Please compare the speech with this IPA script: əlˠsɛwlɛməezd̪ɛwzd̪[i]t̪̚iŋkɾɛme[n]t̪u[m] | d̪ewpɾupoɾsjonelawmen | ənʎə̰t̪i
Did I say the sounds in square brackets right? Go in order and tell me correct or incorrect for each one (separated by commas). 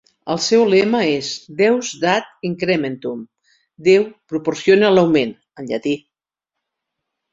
incorrect, correct, correct